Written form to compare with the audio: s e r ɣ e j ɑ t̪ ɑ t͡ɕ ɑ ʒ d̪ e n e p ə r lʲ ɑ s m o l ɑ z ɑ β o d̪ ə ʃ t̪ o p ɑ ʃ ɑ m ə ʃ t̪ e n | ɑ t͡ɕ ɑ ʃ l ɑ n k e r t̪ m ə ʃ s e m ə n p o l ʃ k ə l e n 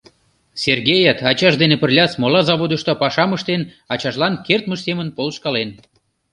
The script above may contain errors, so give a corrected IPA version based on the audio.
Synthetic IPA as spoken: s e r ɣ e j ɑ t̪ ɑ t͡ɕ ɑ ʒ d̪ e n e p ə r lʲ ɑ s m o l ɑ z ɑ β o d̪ ə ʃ t̪ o p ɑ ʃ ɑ m ə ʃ t̪ e n | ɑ t͡ɕ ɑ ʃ l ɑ n k e r t̪ m ə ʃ s e m ə n p o l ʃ k ɑ l e n